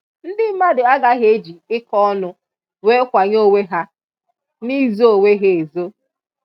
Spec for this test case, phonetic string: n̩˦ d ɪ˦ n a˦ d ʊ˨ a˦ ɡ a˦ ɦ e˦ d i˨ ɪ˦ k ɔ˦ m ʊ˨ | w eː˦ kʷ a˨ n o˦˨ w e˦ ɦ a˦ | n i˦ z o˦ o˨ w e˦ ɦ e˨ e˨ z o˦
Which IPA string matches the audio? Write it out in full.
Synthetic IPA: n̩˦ d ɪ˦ m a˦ d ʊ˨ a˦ ɡ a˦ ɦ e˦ d͡ʒ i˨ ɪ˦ k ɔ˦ n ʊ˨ | w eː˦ kʷ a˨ ɲ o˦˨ w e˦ ɦ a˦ | n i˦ z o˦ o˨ w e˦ ɦ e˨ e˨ z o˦